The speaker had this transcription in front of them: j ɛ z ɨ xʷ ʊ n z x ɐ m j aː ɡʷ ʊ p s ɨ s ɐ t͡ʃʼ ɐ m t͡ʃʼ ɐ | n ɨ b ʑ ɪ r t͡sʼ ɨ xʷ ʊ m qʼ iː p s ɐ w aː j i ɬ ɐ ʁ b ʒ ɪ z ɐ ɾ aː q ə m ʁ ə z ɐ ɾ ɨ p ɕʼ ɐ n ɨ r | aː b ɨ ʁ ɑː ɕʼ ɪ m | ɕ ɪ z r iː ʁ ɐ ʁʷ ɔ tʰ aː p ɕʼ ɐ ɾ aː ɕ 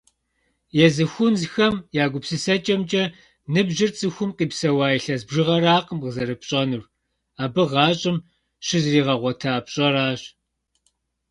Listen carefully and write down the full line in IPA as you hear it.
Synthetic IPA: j ɛ z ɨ xʷ ʊ n z x ɐ m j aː ɡʷ ʊ p s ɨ s ɐ t͡ʃʼ ɐ m t͡ʃʼ ɐ | n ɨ b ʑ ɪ r t͡sʼ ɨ xʷ ʊ m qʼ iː p s ɐ w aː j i ɬ ɐ z b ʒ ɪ ʁ ɐ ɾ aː q ə m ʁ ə z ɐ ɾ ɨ p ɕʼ ɐ n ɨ r | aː b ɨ ʁ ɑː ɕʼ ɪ m | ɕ ɪ z r iː ʁ ɐ ʁʷ ɔ tʰ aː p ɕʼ ɐ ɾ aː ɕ